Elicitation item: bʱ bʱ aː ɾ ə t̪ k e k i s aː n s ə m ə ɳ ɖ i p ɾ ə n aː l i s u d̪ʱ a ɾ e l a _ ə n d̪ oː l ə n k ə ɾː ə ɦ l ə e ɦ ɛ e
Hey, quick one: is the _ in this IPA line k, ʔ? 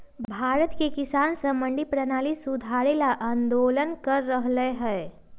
ʔ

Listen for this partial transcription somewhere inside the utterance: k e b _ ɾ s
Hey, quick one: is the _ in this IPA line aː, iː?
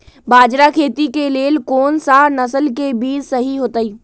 iː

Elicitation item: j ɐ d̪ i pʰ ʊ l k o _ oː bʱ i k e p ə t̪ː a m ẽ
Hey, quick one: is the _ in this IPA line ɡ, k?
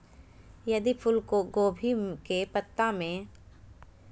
ɡ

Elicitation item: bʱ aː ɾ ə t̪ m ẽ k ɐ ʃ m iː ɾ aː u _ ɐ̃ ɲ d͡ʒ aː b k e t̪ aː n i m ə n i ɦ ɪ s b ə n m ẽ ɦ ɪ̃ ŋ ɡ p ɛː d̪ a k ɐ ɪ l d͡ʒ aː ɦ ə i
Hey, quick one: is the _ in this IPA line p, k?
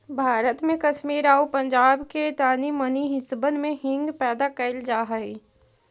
p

